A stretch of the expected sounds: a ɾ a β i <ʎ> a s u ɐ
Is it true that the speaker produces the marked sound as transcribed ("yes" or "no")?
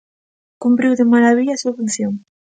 yes